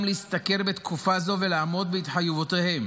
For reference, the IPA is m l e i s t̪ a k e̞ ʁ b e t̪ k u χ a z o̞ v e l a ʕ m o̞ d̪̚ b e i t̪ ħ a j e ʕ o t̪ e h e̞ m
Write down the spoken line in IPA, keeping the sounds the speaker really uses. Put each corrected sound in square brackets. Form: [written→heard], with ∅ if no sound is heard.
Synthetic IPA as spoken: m l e i s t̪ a k e̞ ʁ b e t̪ k u [χ→f] a z o̞ v e l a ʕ m o̞ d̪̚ b e i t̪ ħ a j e [ʕ→v] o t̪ e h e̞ m